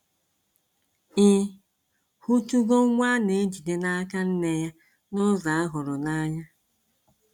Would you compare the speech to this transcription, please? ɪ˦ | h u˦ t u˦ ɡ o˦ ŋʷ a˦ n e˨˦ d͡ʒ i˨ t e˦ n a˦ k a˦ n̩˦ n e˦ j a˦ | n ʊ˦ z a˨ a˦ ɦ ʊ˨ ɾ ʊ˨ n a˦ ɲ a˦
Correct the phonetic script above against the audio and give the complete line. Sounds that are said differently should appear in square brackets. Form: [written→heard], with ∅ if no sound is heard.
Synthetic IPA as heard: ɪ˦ | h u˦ t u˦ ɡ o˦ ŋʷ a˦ n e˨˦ d͡ʒ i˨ [t→d] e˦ n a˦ k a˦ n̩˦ n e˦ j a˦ | n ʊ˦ z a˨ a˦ ɦ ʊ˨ ɾ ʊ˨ n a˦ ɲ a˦